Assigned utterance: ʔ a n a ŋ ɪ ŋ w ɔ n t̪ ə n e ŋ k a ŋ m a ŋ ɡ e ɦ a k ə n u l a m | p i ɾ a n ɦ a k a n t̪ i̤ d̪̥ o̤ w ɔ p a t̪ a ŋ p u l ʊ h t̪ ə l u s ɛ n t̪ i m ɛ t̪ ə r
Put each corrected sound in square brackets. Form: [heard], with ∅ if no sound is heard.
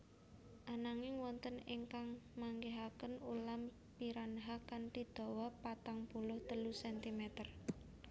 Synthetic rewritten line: ʔ a n a ŋ ɪ ŋ w ɔ n t̪ ə n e ŋ k a ŋ m a ŋ ɡ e ɦ a k ə n u l a m | p i ɾ a n ɦ a k a n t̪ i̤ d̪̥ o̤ w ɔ p a t̪ a ŋ p u l ʊ h t̪ ə l u s ɛ n t̪ i m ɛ t̪ ə r